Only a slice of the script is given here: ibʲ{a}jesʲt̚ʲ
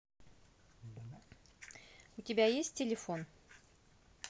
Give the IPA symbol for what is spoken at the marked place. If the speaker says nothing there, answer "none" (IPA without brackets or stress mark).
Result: æ